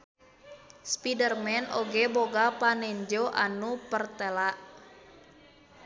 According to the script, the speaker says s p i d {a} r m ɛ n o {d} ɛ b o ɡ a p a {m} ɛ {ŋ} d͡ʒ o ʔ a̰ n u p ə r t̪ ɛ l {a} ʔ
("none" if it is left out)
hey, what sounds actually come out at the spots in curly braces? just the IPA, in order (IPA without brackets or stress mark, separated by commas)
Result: ə, ɡ, n, ɲ, a